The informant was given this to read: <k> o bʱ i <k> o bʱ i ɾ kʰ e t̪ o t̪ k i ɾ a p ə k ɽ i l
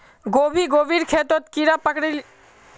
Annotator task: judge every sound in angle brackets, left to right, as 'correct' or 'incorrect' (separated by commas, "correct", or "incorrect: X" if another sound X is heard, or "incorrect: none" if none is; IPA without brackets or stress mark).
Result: incorrect: ɡ, incorrect: ɡ